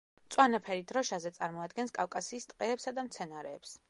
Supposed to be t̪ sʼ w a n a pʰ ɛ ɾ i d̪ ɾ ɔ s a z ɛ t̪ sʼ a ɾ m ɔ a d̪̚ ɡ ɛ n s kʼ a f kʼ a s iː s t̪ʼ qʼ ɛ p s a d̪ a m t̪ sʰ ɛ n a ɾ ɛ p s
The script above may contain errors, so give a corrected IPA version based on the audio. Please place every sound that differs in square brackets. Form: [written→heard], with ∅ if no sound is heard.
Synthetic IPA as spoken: t̪ sʼ w a n a pʰ ɛ ɾ i d̪ ɾ ɔ [s→ʃ] a z ɛ t̪ sʼ a ɾ m ɔ a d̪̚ ɡ ɛ n s kʼ a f kʼ a s iː s t̪ʼ qʼ [ɛ→ɛː] p s a d̪ a m t̪ sʰ ɛ n a ɾ [ɛ→ɛː] p s